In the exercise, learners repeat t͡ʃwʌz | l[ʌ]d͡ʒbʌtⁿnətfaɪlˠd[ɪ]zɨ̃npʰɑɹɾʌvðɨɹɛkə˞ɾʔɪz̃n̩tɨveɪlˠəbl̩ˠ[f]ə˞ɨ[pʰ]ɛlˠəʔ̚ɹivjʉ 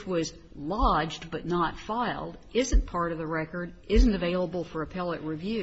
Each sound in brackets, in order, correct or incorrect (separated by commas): incorrect, correct, correct, correct